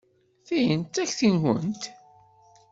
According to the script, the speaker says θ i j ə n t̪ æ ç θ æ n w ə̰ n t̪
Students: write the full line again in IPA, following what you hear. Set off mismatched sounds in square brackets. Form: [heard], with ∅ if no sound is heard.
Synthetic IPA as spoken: θ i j ə n t̪ æ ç θ [i] n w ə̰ n t̪